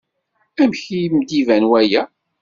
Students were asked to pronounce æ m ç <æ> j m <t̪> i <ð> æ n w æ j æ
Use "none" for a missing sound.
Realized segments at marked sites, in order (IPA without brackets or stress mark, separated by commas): i, d̪, v